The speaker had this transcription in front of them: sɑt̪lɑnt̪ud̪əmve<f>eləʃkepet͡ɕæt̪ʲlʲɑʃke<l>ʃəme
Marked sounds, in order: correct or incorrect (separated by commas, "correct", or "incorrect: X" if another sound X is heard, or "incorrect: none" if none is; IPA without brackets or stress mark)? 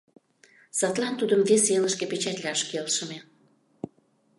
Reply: incorrect: s, correct